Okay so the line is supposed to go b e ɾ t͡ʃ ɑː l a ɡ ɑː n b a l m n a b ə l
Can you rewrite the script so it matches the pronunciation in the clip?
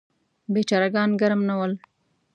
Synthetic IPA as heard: b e t͡ʃ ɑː ɾ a ɡ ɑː n ɡ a ɾ m n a w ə l